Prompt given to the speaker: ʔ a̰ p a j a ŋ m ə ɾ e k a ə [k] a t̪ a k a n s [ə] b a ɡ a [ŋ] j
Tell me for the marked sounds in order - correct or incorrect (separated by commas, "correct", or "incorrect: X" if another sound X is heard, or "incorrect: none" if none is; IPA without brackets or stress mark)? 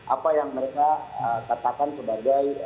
correct, correct, incorrect: none